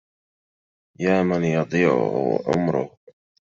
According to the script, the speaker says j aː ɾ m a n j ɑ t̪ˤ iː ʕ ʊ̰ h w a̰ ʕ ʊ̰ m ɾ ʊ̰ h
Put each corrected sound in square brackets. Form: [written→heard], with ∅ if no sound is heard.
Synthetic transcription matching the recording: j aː [ɾ→∅] m a n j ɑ [t̪ˤ→d̪ˤ] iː ʕ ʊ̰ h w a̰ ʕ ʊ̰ m ɾ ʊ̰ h